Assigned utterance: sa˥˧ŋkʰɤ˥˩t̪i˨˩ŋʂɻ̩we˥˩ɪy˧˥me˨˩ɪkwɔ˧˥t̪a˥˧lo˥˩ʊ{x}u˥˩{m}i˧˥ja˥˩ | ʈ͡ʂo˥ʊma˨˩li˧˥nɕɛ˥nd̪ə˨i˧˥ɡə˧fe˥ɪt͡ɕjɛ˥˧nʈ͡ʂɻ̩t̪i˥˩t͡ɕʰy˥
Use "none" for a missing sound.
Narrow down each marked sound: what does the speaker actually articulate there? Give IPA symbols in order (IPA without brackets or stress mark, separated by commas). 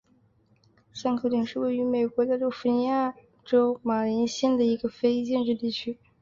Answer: f, n